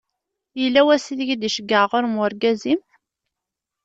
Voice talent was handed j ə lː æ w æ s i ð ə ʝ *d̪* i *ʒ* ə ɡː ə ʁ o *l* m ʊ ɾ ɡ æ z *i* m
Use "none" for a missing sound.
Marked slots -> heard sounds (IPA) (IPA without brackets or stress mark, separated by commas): d̪, ʃ, ɾ, i